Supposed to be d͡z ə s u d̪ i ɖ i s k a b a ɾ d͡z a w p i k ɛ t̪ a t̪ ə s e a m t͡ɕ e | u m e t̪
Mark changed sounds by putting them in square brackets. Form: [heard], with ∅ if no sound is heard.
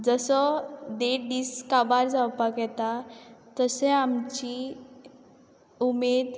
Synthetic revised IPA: d͡z ə s [ɔ] d̪ [e] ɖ i s k a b a ɾ d͡z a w p [a] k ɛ t̪ a t̪ ə s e a m t͡ɕ [i] | u m e [d̪]